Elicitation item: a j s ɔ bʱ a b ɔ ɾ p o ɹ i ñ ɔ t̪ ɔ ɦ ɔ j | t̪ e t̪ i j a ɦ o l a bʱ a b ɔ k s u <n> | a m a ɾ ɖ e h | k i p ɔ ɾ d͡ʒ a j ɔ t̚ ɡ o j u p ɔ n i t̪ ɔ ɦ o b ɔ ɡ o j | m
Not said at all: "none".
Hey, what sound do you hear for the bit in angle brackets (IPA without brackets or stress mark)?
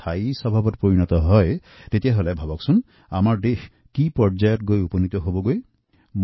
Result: n